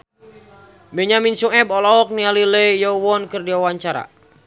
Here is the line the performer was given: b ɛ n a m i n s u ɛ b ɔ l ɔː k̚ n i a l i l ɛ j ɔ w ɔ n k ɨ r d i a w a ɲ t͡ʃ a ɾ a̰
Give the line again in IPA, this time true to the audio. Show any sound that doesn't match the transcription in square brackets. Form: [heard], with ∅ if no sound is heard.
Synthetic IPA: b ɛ [ɲ] a m i n s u ɛ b ɔ l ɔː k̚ n i a l i l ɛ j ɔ w ɔ n k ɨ r d i a w a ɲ t͡ʃ a ɾ a̰